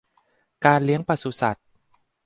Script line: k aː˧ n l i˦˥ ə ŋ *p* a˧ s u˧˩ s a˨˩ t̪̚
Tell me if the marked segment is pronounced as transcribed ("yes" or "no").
yes